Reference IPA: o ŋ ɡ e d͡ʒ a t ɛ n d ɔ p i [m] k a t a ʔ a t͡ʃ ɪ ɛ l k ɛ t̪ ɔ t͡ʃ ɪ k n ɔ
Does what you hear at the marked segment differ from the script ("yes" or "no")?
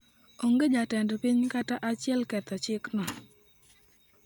yes